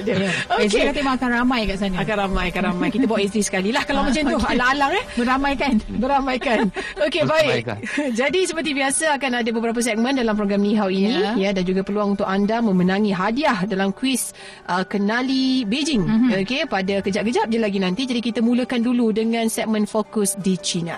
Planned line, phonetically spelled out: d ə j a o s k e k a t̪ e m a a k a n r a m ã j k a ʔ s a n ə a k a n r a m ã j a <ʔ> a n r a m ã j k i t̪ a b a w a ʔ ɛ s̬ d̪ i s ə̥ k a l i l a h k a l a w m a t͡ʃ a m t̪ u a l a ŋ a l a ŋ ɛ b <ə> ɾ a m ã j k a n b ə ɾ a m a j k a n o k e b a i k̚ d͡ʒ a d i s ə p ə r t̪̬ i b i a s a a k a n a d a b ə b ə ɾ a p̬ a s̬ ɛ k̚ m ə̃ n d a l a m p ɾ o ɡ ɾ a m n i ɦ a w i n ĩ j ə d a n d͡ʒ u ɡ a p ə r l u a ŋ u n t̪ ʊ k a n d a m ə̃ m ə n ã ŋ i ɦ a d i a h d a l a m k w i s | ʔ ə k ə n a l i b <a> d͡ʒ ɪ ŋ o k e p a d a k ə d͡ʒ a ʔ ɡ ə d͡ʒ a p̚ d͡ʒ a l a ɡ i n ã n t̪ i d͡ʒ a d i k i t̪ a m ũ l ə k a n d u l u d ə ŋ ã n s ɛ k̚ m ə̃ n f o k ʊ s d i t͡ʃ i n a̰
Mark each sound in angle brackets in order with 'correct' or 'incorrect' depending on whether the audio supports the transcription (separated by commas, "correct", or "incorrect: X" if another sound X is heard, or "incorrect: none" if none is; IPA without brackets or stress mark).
incorrect: k, correct, incorrect: e